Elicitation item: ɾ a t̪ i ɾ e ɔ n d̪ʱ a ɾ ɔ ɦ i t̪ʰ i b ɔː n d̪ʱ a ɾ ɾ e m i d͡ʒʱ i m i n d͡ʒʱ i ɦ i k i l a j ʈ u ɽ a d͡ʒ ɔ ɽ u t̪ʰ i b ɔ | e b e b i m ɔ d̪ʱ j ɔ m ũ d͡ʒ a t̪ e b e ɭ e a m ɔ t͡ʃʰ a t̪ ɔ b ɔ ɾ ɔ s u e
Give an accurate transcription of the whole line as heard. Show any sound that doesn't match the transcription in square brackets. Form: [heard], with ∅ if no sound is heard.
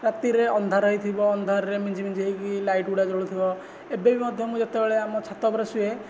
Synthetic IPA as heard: ɾ a t̪ i ɾ e ɔ n d̪ʱ a ɾ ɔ ɦ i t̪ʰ i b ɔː n d̪ʱ a ɾ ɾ e m i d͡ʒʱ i m i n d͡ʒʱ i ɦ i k i l a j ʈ u ɽ a d͡ʒ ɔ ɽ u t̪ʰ i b ɔ | e b e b i m ɔ d̪ʱ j ɔ m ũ d͡ʒ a t̪ e b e ɭ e a m ɔ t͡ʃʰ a t̪ ɔ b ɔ ɾ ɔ s u e